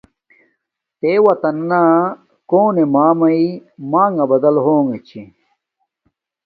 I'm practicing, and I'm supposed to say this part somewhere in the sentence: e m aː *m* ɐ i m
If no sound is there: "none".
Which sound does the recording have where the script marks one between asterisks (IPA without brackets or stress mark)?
m